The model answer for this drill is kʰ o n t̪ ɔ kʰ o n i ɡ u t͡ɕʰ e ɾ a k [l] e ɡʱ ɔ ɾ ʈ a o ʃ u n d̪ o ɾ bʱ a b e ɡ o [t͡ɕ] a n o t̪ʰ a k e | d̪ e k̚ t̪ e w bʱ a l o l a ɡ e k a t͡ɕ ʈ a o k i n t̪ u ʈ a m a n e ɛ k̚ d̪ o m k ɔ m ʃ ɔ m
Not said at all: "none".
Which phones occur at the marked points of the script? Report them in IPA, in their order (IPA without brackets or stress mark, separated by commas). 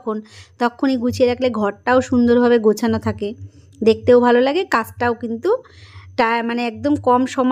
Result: l, t͡ɕʰ